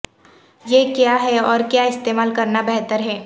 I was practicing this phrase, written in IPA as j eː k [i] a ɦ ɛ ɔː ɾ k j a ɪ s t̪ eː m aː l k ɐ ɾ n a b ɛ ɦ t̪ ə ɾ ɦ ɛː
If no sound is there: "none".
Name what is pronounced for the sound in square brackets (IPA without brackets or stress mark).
j